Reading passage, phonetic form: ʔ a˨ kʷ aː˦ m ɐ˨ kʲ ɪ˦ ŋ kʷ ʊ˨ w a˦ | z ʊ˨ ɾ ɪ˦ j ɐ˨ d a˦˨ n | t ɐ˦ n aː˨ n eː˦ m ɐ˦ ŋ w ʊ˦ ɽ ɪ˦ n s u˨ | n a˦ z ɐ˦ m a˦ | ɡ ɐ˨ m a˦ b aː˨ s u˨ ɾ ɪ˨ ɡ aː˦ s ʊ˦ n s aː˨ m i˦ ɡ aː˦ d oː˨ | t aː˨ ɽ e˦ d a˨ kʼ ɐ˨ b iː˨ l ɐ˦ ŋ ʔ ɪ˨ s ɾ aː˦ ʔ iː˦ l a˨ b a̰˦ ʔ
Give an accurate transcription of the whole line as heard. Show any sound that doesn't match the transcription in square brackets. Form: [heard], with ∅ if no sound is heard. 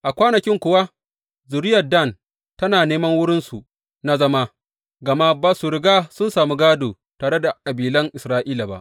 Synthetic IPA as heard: ʔ a˨ kʷ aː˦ [n] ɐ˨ kʲ ɪ˦ ŋ kʷ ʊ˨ w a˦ | z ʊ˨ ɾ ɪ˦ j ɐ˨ d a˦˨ n | t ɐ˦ n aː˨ n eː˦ m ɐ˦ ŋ w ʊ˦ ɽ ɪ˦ n s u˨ | n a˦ z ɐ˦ m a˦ | ɡ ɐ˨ m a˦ b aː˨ s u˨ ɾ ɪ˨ ɡ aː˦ s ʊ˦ n s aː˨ m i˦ ɡ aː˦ d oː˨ | t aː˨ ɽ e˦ d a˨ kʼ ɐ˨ b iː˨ l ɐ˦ ŋ ʔ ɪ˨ s ɾ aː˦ ʔ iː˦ l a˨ b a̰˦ ʔ